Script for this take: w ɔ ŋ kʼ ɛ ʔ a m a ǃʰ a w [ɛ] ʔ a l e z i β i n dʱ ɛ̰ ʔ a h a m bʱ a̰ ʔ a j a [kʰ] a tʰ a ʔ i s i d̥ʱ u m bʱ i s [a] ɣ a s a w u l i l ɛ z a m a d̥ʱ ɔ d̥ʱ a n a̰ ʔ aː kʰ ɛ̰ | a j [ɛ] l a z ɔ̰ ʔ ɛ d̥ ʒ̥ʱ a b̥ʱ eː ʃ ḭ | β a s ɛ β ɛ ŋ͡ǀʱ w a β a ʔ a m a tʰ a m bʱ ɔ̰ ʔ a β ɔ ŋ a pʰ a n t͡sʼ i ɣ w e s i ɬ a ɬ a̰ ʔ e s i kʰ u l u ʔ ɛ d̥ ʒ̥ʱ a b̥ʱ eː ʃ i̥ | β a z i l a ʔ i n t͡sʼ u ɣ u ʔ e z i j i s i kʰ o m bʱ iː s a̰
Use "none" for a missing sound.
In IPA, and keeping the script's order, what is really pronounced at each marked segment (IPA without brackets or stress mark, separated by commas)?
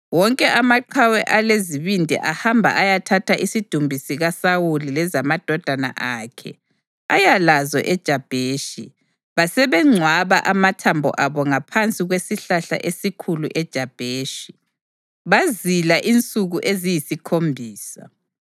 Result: ɛ, tʰ, i, a